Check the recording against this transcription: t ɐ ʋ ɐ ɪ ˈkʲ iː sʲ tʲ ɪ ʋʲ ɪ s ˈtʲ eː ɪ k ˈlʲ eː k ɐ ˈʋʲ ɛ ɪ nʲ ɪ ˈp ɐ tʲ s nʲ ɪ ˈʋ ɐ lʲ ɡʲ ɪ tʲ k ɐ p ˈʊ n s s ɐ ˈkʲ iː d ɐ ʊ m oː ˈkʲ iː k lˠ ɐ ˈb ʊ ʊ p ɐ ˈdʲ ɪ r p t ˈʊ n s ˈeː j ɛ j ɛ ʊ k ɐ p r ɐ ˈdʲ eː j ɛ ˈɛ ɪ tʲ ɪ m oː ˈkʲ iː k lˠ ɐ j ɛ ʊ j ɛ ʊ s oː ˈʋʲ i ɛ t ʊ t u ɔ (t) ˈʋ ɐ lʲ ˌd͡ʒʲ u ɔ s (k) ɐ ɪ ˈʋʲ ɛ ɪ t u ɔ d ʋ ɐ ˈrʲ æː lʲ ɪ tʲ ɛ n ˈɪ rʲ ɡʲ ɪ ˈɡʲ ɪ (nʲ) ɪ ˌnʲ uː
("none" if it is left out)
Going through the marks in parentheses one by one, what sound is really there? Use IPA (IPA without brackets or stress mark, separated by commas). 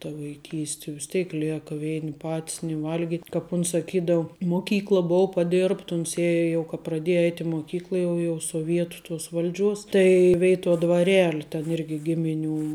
s, t, mʲ